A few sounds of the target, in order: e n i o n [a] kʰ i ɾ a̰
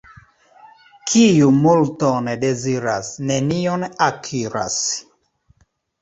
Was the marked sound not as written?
no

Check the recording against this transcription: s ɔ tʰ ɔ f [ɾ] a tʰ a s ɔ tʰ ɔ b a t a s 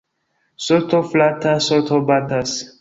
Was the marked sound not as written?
yes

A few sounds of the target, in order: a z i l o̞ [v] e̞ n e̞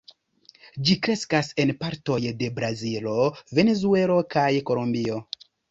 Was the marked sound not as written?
no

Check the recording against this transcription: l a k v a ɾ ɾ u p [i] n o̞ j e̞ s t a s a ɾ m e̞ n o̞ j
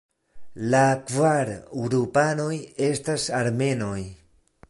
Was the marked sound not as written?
yes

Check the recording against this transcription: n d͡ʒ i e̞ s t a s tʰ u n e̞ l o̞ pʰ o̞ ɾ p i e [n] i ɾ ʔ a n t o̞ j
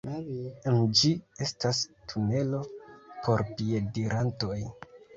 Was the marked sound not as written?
yes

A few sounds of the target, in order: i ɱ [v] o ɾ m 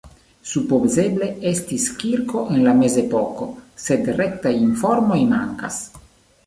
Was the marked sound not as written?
yes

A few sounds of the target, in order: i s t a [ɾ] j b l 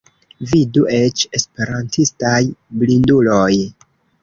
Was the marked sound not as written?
yes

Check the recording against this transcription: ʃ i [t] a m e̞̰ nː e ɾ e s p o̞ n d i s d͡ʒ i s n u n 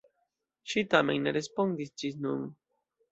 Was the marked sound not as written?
no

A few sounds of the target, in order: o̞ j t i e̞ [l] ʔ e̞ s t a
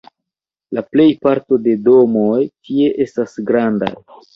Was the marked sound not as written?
yes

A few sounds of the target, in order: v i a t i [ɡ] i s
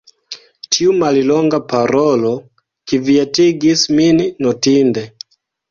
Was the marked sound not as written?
no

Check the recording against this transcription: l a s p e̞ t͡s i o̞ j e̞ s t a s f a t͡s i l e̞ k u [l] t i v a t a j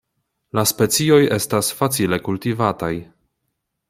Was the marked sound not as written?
no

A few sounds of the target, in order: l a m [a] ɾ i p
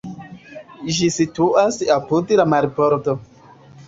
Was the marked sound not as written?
no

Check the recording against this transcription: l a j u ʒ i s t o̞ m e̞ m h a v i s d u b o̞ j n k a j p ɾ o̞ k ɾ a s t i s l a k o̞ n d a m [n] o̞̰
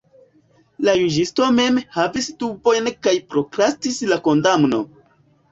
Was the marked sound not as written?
no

